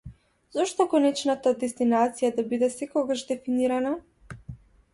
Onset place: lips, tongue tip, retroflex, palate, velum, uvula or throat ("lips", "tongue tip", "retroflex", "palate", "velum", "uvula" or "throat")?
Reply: tongue tip